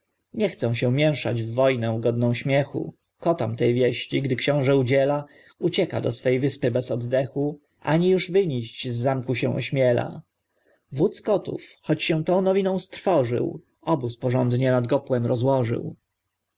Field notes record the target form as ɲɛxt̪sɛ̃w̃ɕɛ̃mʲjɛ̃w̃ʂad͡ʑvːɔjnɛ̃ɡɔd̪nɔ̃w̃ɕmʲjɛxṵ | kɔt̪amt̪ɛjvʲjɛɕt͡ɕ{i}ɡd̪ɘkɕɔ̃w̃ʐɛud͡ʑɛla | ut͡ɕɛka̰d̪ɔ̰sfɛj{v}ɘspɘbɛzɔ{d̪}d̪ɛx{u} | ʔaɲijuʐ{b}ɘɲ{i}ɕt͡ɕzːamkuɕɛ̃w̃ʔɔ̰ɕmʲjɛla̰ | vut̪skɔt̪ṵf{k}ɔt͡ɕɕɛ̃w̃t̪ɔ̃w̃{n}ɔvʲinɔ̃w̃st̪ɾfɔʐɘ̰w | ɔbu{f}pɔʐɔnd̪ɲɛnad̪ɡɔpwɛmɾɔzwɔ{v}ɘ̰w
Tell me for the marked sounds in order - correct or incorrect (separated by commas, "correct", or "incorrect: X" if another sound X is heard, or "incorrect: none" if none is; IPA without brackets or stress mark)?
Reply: correct, correct, correct, correct, incorrect: v, correct, incorrect: x, correct, incorrect: s, incorrect: ʐ